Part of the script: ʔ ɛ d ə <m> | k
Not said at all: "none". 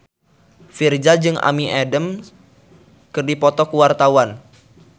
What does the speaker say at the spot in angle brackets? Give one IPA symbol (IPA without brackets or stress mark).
m